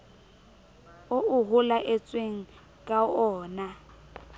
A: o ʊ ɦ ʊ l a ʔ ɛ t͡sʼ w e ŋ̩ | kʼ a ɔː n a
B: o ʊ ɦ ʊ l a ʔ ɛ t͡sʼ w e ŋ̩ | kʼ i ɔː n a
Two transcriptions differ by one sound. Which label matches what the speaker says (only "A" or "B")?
A